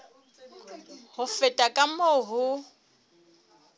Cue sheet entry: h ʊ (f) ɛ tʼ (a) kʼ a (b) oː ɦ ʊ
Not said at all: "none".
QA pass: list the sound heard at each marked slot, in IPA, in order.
f, a, m

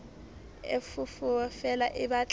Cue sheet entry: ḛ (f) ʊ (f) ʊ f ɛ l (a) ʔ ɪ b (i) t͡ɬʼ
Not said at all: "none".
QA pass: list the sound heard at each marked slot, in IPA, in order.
f, f, a, a

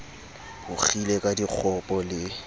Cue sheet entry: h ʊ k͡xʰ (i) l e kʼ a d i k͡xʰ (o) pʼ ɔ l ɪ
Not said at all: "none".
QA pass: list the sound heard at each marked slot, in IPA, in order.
i, ɔ

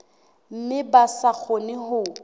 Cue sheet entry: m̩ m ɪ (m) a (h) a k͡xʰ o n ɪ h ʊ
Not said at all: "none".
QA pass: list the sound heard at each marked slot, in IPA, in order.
b, s

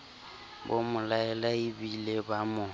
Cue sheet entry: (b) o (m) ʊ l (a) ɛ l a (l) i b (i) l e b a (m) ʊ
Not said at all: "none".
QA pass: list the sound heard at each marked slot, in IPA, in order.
b, m, a, none, i, m

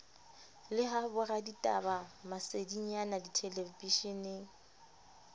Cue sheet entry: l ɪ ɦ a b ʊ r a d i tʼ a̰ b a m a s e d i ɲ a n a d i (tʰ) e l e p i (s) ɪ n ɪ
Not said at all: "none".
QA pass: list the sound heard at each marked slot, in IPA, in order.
tʰ, ʃ

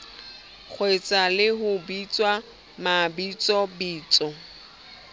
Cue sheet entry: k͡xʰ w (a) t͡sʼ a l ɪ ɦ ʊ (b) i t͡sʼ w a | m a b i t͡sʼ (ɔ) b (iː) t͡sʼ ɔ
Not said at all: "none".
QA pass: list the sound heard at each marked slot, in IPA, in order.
e, b, ɔ, iː

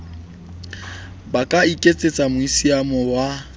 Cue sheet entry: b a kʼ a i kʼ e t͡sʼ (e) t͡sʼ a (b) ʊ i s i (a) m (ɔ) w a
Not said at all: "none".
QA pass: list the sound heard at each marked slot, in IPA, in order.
e, m, a, ɔ

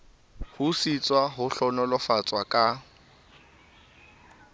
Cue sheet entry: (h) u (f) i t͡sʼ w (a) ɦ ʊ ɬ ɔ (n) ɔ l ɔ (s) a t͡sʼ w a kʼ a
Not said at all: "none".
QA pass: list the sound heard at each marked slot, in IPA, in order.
h, s, a, n, f

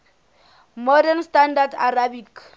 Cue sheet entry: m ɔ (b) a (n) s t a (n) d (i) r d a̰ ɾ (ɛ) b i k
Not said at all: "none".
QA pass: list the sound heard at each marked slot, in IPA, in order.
d, n, n, a, a

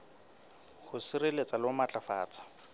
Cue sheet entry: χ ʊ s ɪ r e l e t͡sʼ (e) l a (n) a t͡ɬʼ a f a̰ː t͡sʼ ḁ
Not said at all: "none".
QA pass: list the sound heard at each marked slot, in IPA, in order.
a, m

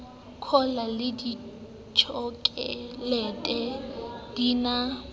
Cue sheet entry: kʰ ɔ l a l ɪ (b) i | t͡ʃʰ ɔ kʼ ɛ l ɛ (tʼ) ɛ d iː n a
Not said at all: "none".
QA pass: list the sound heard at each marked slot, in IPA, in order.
d, tʼ

